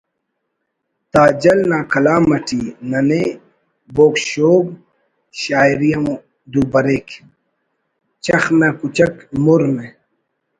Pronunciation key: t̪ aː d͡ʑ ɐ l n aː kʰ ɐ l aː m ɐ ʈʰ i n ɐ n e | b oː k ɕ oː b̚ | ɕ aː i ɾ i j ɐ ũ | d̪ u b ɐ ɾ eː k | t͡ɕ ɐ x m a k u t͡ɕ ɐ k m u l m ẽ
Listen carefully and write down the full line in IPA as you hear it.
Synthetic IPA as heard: t̪ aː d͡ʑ ɐ l n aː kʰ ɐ l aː m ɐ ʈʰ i n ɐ n e | b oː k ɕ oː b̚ | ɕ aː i ɾ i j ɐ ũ | d̪ u b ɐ ɾ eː k | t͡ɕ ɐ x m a k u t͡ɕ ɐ k m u ɾ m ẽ